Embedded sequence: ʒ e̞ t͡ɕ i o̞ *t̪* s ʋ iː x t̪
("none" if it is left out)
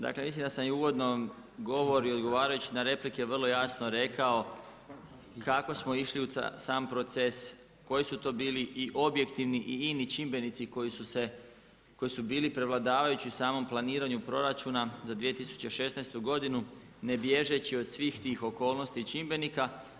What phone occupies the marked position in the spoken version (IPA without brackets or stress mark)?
d̪